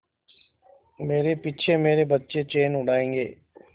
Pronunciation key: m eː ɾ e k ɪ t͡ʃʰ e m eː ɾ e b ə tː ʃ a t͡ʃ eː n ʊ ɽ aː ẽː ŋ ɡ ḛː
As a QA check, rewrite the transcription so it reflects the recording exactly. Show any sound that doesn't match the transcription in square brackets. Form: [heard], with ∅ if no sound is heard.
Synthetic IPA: m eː ɾ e [p] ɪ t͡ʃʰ e m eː ɾ e b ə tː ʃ [e] t͡ʃ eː n ʊ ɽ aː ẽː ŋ ɡ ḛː